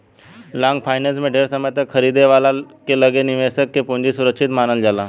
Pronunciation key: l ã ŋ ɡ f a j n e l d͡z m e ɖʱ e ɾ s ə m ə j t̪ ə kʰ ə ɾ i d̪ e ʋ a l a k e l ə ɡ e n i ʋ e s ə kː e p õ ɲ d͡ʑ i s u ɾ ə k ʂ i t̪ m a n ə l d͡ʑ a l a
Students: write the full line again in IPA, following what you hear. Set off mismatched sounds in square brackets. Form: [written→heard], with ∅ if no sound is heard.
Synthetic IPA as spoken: l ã ŋ ɡ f a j n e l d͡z m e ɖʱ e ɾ s ə m ə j t̪ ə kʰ ə ɾ i d̪ e ʋ a l a k e l ə ɡ e n i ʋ e s ə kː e p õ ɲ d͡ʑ i s u ɾ ə k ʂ i t̪ m a n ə l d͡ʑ a l a